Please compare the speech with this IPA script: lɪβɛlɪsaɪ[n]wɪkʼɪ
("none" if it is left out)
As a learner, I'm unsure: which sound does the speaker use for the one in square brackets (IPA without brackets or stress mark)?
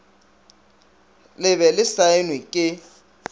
n